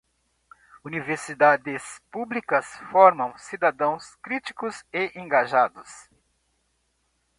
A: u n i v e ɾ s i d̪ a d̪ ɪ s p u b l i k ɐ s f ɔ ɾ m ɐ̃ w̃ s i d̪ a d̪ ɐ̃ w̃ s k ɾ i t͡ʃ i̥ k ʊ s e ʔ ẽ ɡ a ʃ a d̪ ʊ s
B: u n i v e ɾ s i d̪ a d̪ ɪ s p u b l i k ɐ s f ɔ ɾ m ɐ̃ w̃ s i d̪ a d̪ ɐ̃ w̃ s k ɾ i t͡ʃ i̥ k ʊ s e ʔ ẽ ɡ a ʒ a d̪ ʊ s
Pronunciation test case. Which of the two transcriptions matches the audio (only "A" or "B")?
B